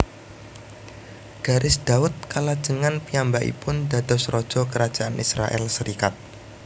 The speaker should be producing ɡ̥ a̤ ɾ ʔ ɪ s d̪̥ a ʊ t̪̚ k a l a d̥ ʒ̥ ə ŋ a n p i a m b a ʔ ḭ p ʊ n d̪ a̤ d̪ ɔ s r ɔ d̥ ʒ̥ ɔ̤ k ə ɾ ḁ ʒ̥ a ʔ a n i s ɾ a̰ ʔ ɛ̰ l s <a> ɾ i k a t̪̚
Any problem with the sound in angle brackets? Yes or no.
yes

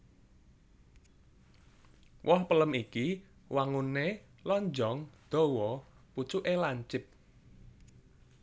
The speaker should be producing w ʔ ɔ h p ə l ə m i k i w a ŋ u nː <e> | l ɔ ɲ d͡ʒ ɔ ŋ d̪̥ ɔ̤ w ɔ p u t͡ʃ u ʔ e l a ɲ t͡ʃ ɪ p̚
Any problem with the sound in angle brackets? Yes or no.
no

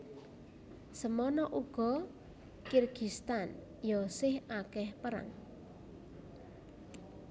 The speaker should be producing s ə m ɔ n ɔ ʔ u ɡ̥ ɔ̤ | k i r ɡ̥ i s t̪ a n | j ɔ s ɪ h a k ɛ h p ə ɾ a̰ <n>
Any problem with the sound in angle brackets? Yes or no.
yes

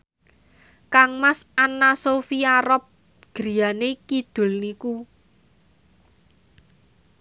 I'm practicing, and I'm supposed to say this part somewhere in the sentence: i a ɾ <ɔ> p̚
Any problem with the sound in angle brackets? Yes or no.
no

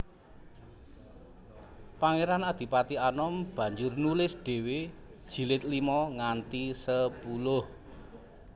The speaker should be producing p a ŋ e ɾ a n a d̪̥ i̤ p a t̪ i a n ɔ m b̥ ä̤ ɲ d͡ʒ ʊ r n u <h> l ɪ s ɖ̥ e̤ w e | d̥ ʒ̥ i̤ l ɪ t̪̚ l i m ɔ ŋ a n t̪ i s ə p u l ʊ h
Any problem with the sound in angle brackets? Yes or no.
yes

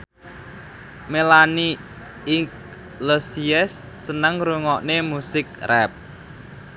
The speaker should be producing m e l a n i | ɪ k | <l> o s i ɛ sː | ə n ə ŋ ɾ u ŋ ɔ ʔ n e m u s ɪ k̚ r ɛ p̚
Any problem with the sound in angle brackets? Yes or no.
no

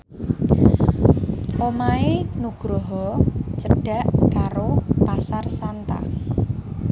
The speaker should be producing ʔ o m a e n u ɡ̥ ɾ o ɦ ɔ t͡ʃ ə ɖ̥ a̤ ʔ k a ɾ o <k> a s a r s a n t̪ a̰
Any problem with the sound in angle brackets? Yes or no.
yes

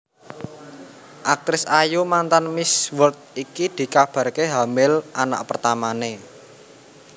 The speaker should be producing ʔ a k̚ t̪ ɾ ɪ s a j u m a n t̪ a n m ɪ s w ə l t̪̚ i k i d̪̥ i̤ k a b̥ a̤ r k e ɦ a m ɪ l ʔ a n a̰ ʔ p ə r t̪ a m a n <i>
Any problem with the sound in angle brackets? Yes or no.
yes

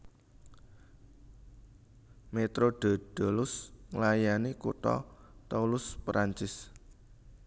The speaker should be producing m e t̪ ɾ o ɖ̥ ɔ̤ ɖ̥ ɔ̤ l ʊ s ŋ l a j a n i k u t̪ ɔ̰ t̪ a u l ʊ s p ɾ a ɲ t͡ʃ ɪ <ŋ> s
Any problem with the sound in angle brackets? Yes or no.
yes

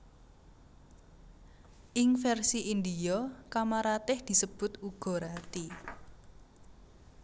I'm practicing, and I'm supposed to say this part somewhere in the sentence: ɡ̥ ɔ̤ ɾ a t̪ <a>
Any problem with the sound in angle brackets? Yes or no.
yes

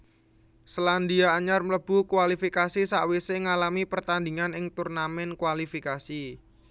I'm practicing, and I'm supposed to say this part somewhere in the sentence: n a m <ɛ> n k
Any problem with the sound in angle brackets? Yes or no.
no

